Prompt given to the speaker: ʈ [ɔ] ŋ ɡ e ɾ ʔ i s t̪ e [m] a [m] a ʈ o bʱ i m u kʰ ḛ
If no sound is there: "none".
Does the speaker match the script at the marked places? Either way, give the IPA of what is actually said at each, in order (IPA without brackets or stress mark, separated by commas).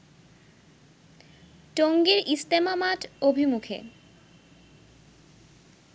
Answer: o, m, m